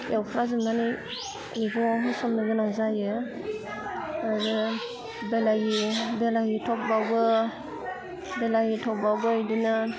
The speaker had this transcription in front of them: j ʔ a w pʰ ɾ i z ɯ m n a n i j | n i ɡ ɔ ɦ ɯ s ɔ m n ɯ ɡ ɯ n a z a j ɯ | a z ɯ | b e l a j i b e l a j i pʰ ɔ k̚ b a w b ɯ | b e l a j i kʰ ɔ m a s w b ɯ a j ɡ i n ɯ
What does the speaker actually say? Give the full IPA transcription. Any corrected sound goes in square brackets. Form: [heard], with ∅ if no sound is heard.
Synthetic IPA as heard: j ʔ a w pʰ ɾ [a] z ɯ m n a n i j | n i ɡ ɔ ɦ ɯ s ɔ m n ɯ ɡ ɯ n a z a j ɯ | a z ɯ | b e l a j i b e l a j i [tʰ] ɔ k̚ b a w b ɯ | b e l a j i [tʰ] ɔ [b] a [∅] w b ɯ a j [d] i n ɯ